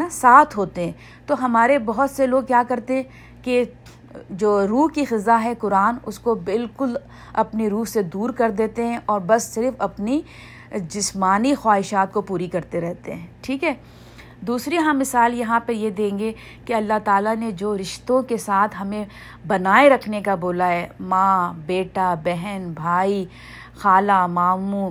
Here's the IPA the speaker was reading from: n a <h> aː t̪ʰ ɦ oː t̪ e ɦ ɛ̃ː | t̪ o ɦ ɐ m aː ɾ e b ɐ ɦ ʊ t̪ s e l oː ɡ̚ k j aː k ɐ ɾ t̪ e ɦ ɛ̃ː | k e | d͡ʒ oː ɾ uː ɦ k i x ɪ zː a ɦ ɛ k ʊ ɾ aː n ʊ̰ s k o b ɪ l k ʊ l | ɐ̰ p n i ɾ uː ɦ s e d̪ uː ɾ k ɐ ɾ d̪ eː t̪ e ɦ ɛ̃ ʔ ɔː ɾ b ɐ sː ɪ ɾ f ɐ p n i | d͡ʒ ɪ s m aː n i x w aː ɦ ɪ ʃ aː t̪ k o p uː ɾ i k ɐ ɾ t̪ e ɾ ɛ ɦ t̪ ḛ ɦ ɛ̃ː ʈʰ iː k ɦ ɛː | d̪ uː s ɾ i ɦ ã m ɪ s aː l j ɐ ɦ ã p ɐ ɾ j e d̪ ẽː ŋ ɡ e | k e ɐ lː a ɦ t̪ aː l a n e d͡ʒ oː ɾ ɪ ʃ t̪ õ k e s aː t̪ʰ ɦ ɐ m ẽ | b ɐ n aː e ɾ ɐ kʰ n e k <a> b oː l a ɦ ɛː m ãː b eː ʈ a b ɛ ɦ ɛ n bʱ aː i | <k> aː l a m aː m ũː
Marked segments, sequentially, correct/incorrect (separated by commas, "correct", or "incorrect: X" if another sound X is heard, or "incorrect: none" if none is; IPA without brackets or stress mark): incorrect: s, correct, incorrect: x